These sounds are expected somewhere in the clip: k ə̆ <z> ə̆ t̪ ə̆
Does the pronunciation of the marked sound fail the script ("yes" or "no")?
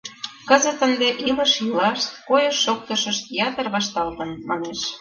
no